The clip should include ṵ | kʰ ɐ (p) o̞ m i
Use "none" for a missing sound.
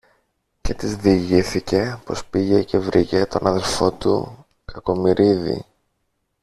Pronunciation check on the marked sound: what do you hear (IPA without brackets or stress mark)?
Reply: k